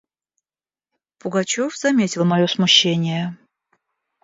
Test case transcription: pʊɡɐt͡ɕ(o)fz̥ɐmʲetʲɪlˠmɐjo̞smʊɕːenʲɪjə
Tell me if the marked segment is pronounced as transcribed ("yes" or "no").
yes